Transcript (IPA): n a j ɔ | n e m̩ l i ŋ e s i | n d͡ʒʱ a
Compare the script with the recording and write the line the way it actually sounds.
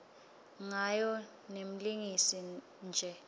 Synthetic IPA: ŋ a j ɔ | n e m̩ l i ŋ i s i | n d͡ʒʱ ɛ